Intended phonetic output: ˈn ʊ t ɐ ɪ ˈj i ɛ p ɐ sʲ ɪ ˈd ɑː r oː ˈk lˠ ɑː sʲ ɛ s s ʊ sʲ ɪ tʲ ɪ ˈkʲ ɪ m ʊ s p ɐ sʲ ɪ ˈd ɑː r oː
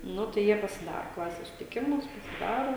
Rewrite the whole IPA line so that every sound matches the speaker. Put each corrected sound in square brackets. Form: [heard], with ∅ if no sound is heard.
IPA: ˈn ʊ t ɐ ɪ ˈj i ɛ p ɐ sʲ ɪ ˈd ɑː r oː ˈk lˠ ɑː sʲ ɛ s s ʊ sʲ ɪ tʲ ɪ ˈkʲ ɪ m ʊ s p ɐ sʲ ɪ ˈd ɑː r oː